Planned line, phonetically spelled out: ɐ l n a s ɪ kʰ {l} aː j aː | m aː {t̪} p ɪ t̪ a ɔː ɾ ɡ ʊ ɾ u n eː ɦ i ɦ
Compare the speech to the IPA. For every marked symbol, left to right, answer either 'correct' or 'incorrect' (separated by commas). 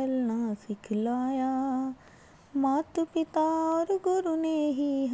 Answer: correct, correct